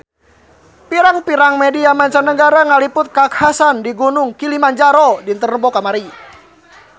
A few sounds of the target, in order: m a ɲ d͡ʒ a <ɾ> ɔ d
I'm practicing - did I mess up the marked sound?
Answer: no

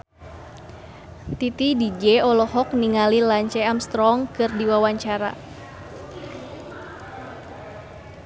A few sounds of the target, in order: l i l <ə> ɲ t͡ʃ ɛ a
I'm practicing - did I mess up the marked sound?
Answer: yes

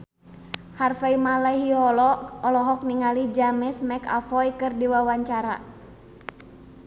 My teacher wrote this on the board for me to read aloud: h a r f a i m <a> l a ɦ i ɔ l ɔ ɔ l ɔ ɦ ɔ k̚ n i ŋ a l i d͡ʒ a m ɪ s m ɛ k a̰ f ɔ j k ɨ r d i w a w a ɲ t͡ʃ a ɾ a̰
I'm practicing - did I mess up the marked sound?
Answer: no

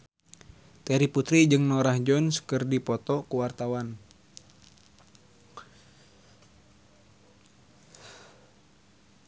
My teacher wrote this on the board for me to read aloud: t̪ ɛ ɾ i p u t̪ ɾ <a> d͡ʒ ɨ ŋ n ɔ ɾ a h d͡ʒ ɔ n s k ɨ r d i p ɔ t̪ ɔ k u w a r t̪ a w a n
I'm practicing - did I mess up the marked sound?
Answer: yes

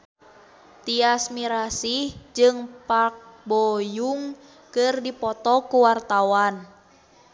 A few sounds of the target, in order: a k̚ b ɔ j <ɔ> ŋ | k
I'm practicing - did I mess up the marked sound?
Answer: yes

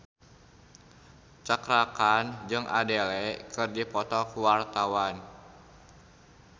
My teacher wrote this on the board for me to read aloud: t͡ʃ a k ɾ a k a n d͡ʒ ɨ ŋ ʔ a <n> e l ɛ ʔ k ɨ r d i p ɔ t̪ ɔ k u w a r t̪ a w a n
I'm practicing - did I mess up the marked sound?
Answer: yes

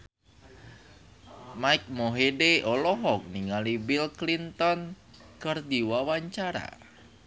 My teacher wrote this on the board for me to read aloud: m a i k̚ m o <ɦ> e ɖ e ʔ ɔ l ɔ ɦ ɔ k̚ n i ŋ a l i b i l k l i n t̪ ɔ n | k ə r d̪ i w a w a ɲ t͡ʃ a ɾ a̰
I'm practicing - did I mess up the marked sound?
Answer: no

